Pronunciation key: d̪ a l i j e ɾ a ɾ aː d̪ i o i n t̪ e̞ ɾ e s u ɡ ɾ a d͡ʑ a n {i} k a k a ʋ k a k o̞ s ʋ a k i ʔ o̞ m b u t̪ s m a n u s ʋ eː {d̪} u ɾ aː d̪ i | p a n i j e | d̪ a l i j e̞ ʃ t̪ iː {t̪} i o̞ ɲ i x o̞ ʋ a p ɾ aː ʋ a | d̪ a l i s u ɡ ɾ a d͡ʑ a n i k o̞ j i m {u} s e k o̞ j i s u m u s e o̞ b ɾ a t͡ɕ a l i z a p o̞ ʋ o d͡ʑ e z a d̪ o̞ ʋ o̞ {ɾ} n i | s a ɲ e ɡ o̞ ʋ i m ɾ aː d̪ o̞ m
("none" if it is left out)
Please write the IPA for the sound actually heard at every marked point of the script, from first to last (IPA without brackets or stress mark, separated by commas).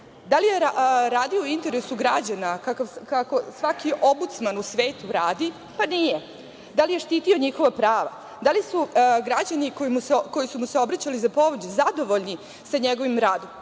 a, t̪, t̪, u, ʎ